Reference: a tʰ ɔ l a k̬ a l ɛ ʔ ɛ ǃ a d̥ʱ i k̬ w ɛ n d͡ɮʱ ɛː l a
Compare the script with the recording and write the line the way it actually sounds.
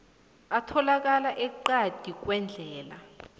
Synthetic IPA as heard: a tʰ ɔ l a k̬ a l a ʔ ɛ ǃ a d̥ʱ i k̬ w ɛ n d͡ɮʱ ɛː l a